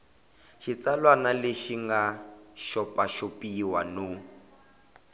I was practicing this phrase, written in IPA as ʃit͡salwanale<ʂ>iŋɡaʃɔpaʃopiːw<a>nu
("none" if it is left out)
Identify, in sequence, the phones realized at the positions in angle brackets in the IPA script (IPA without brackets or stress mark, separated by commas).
ʃ, a